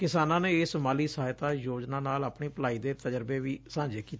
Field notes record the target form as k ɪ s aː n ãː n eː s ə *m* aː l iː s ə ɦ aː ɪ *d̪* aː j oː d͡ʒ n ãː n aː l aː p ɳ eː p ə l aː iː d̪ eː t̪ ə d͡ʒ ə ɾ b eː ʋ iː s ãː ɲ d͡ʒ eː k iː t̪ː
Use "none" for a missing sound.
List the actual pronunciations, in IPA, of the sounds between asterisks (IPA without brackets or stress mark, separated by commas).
m, t̪